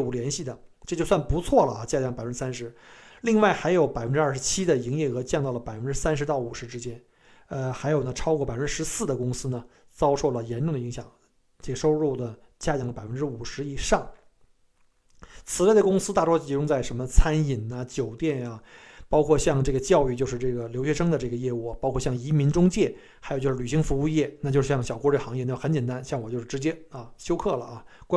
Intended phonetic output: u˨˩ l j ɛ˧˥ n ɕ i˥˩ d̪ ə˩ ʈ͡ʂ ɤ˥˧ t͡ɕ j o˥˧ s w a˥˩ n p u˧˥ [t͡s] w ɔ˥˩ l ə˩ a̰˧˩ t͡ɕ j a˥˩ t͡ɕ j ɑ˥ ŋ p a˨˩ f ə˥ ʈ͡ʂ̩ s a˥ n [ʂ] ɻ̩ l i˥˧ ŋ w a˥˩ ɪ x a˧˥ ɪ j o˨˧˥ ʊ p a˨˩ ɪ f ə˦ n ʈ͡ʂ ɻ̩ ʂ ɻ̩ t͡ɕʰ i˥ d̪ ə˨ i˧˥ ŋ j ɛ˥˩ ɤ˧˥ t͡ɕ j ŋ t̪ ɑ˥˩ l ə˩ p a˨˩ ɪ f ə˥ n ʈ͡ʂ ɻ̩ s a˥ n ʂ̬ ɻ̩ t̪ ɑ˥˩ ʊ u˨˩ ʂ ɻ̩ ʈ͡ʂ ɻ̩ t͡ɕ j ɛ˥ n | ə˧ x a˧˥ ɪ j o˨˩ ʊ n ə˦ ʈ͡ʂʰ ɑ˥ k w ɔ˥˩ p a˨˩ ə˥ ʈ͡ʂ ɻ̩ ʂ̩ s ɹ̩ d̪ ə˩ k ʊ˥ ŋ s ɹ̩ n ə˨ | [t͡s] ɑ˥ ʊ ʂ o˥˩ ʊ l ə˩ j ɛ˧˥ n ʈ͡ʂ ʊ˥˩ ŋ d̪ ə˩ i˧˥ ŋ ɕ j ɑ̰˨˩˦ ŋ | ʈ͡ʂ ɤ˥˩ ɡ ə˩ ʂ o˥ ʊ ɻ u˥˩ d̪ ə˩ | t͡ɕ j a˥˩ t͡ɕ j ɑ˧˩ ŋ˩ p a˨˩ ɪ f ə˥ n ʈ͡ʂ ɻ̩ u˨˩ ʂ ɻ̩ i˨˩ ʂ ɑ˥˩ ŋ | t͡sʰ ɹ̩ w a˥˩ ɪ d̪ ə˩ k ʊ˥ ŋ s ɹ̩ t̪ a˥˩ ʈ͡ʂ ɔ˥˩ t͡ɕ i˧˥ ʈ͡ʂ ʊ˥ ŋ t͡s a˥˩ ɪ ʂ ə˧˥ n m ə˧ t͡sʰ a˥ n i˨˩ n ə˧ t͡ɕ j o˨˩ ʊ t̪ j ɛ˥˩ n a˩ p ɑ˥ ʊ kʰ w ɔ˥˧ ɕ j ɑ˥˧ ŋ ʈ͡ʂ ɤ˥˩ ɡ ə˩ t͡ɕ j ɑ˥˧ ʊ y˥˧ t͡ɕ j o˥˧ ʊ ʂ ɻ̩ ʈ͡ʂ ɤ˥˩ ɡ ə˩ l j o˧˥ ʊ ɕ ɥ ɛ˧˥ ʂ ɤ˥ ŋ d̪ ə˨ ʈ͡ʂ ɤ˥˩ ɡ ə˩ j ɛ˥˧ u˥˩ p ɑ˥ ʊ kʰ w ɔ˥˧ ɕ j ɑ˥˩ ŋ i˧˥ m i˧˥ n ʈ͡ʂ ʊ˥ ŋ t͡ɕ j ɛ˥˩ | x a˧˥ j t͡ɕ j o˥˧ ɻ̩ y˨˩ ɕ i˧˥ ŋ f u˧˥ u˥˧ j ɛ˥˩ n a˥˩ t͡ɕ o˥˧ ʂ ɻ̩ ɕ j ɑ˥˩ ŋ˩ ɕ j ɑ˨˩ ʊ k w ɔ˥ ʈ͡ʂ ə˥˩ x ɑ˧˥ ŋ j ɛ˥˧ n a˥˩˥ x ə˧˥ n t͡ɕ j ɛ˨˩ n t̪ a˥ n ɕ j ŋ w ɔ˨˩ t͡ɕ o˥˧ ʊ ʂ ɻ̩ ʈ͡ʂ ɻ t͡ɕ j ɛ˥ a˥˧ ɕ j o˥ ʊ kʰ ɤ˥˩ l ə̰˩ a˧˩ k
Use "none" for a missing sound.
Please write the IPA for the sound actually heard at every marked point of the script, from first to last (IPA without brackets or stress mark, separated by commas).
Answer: t͡sʰ, ʂ, t͡s